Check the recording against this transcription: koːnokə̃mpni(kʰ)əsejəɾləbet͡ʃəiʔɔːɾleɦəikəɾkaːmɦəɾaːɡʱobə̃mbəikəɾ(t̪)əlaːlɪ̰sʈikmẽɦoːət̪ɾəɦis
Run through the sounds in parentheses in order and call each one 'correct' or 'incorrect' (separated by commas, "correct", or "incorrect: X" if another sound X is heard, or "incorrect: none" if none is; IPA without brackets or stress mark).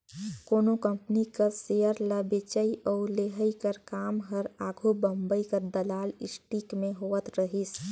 incorrect: k, incorrect: d̪